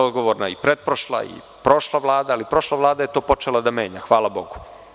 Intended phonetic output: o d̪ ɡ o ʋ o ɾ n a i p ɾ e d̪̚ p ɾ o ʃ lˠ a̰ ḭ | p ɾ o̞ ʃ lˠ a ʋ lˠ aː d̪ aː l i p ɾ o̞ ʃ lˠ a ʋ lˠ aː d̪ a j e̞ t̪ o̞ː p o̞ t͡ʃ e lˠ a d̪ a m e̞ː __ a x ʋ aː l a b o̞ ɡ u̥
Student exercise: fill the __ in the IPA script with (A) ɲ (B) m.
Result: A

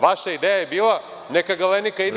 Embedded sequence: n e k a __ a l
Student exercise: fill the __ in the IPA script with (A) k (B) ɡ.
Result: B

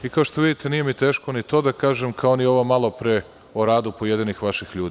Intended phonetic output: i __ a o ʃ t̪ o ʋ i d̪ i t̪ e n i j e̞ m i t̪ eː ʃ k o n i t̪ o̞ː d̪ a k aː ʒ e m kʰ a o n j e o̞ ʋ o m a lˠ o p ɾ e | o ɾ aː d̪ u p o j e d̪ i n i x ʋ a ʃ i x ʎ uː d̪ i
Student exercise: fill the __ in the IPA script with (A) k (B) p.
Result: A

